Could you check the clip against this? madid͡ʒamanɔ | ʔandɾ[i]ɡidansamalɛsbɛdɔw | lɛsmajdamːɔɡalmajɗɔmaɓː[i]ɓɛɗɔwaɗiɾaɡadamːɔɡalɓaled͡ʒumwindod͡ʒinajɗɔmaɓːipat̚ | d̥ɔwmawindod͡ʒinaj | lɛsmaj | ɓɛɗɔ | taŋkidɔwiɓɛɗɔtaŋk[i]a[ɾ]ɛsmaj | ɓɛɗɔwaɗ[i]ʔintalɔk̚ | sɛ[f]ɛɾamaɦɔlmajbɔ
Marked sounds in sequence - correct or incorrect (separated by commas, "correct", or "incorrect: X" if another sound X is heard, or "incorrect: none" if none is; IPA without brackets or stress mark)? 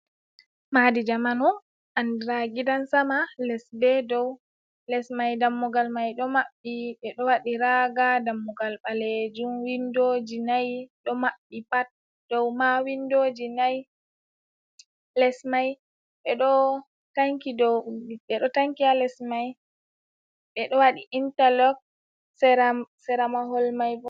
incorrect: a, correct, correct, incorrect: l, correct, incorrect: s